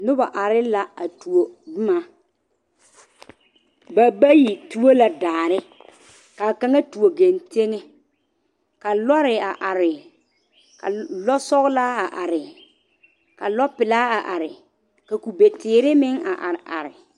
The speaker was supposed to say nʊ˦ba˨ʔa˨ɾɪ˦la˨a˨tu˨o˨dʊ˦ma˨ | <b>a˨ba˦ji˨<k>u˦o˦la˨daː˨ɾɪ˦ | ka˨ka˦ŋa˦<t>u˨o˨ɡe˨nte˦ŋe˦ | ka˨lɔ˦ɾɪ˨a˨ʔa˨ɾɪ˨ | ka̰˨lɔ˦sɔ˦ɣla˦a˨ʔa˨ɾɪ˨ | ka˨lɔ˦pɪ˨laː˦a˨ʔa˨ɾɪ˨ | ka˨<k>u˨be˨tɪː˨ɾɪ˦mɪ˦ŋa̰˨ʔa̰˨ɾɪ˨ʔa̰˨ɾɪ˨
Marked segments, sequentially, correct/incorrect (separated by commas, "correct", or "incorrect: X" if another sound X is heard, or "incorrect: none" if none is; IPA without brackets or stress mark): correct, incorrect: t, correct, correct